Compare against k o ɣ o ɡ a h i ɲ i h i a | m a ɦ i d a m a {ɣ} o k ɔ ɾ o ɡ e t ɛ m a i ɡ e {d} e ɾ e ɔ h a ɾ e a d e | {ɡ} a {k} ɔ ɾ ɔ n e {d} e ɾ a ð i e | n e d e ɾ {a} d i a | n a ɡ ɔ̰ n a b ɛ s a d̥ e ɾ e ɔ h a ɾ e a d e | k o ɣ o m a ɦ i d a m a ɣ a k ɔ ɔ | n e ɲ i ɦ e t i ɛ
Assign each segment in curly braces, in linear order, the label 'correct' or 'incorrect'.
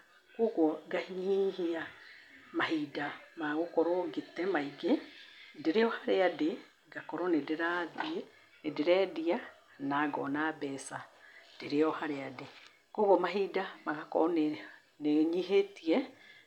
correct, correct, correct, correct, correct, incorrect: ɛ

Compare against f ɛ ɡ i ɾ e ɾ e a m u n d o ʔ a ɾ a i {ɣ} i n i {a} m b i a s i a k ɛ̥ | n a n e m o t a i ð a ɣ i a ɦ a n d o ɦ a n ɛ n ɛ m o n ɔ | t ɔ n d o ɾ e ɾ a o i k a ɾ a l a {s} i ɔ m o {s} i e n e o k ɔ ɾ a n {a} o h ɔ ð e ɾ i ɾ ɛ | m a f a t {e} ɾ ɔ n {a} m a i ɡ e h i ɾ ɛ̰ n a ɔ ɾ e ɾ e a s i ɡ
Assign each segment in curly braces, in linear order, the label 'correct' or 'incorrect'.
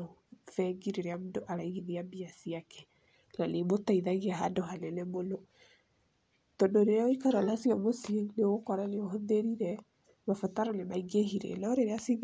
correct, correct, correct, correct, incorrect: e, incorrect: a, incorrect: e

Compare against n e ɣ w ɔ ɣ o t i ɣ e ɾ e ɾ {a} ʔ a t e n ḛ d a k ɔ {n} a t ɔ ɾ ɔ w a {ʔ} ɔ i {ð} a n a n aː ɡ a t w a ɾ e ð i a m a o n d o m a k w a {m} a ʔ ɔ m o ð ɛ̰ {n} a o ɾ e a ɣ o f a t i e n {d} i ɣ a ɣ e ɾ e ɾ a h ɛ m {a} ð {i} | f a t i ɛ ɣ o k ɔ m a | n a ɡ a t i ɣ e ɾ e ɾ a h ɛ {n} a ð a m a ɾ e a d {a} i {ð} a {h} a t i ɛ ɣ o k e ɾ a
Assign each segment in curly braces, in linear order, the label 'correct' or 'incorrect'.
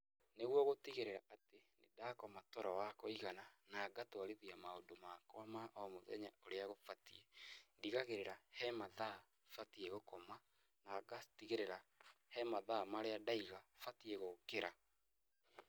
correct, incorrect: m, incorrect: k, incorrect: ɣ, correct, incorrect: ɲ, correct, correct, incorrect: a, incorrect: m, correct, incorrect: ɣ, incorrect: f

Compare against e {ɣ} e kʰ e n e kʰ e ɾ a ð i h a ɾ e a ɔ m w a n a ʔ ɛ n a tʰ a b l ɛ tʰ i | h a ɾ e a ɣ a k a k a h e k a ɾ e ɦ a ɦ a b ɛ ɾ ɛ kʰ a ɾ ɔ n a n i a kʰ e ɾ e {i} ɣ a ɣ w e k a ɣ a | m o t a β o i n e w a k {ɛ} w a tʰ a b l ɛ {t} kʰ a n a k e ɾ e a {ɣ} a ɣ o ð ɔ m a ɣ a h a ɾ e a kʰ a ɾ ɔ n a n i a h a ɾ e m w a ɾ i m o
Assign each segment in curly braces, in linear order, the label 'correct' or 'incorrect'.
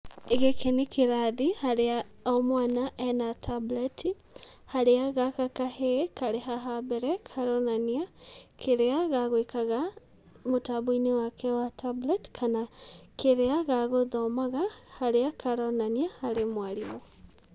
correct, incorrect: a, correct, correct, correct

